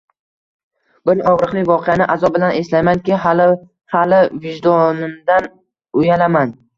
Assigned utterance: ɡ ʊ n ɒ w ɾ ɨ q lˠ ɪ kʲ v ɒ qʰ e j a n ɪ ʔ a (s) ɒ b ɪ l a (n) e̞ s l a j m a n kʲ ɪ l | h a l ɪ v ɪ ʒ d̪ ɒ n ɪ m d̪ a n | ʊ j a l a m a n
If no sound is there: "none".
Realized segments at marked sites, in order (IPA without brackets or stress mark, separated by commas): z, n